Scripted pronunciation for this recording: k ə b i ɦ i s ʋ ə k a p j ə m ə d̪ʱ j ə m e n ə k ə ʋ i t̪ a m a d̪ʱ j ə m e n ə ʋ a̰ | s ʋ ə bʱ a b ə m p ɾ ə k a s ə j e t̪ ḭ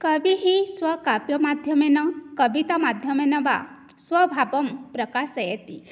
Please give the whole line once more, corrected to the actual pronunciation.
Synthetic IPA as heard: k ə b i ɦ i s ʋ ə k a p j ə m a d̪ʱ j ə m e n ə k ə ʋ i t̪ a m a d̪ʱ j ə m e n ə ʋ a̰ | s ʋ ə bʱ a b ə m p ɾ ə k a s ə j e t̪ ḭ